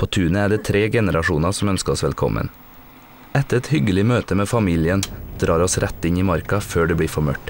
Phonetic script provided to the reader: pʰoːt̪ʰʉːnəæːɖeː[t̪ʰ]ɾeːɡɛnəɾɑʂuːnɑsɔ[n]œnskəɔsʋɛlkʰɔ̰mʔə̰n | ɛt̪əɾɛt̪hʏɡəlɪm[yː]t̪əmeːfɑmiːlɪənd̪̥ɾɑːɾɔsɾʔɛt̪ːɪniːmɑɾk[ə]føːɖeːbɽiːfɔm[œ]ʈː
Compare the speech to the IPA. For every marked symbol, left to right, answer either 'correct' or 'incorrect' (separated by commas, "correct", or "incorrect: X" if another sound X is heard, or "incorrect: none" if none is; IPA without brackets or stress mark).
correct, incorrect: m, incorrect: øː, incorrect: ɑ, correct